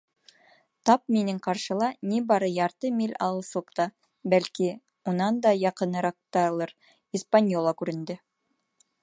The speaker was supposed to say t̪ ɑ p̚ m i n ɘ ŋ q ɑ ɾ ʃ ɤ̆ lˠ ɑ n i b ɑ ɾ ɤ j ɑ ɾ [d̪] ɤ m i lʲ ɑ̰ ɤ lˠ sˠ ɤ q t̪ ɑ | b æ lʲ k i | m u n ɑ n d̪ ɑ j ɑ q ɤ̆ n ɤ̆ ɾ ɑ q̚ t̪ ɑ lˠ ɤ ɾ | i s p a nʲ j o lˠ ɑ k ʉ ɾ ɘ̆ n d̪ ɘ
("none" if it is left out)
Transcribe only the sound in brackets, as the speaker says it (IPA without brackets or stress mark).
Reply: t̪